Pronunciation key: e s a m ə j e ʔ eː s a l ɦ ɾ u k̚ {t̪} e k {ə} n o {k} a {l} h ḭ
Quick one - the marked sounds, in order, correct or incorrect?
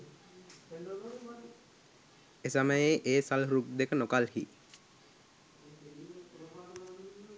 incorrect, correct, correct, correct

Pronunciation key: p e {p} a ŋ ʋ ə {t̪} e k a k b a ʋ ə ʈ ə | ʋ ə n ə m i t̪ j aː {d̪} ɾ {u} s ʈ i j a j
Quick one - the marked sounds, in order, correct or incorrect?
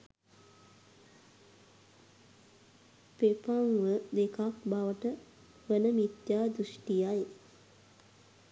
correct, incorrect, correct, correct

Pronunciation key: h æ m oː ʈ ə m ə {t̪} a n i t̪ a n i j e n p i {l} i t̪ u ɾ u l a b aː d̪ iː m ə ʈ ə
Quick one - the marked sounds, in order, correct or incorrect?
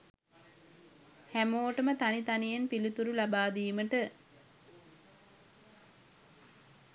correct, correct

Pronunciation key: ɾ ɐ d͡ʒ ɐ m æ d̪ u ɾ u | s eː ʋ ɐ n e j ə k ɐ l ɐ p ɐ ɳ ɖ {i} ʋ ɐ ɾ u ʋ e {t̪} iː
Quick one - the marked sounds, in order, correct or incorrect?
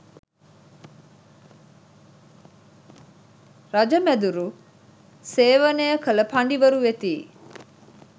correct, correct

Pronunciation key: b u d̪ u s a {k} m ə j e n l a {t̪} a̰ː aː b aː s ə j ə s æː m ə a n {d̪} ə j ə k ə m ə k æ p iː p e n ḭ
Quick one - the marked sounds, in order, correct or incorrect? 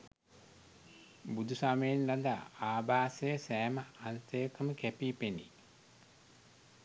incorrect, incorrect, incorrect

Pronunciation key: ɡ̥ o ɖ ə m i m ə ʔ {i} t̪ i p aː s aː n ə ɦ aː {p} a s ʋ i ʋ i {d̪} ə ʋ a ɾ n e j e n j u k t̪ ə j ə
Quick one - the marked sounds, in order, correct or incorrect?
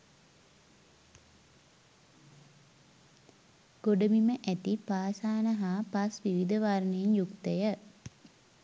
incorrect, correct, correct

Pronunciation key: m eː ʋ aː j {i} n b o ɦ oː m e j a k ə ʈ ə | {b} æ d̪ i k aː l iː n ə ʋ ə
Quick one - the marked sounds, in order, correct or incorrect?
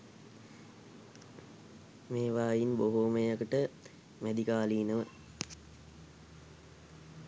correct, incorrect

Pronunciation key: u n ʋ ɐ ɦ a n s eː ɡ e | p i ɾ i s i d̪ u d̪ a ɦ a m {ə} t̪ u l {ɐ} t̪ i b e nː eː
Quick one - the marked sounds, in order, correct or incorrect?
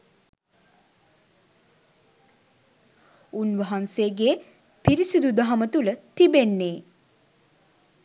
correct, incorrect

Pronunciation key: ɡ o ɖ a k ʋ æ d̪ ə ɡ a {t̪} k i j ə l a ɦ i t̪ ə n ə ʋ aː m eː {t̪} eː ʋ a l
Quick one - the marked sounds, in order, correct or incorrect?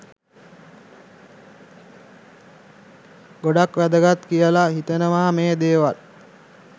correct, incorrect

